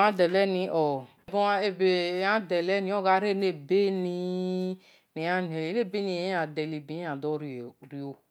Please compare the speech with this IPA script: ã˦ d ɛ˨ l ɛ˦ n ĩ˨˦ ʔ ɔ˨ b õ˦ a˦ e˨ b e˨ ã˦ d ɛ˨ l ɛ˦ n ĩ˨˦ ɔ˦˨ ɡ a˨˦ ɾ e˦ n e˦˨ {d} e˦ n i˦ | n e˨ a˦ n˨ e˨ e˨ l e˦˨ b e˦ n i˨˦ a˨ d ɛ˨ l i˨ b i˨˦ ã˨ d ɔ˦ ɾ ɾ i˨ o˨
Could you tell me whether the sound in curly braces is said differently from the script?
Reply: yes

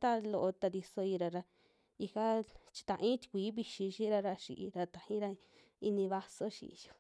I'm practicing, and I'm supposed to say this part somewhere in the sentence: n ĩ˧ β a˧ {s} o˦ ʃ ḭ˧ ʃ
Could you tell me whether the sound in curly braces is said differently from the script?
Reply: no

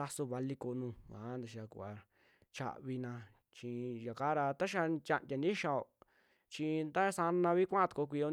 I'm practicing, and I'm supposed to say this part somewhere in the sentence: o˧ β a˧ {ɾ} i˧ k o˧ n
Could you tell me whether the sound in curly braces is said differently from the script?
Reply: yes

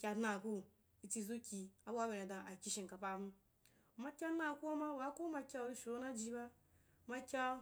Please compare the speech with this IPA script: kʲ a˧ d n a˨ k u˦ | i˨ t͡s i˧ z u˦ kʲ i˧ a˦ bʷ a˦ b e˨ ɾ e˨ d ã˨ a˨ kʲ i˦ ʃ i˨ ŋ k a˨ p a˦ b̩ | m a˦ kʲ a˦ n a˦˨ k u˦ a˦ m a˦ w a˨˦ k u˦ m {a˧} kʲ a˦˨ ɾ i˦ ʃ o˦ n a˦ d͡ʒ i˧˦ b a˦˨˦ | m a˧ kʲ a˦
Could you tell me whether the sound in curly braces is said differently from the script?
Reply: no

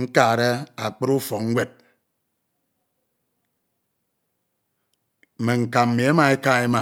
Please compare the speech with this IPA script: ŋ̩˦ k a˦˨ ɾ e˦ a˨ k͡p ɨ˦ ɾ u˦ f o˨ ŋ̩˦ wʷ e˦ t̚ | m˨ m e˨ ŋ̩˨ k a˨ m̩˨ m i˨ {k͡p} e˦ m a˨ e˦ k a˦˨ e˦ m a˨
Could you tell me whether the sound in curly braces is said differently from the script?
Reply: yes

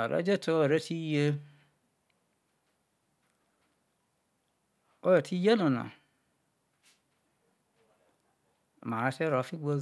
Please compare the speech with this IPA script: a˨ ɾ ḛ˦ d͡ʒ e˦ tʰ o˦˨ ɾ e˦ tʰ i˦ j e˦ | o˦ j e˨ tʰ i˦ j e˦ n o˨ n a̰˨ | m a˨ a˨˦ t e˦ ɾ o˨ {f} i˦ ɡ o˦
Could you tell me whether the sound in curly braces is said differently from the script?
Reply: no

